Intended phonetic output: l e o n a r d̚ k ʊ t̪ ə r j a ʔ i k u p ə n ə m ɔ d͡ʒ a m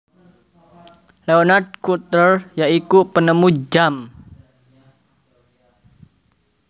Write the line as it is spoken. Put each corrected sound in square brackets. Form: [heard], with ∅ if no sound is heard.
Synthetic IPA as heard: l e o n a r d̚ k [u] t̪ ə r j a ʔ i k u p ə n ə m [u] d͡ʒ a m